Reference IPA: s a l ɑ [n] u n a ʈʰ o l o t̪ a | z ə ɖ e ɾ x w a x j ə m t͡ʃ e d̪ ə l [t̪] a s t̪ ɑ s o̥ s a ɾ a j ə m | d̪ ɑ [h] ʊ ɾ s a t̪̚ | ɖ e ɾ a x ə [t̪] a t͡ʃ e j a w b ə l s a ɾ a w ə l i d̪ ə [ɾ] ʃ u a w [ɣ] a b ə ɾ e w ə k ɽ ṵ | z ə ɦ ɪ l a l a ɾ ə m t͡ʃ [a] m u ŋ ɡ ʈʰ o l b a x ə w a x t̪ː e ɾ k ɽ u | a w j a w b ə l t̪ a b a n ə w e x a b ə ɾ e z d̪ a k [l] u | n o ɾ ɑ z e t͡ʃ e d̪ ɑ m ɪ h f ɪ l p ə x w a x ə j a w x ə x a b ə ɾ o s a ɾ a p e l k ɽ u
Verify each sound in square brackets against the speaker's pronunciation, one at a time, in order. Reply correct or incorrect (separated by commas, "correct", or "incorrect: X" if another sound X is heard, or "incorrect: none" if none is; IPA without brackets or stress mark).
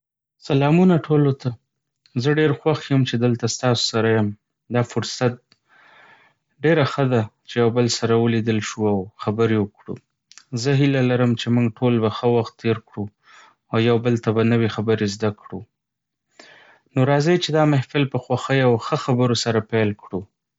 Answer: incorrect: m, correct, incorrect: f, incorrect: d̪, incorrect: l, incorrect: x, incorrect: e, incorrect: ɽ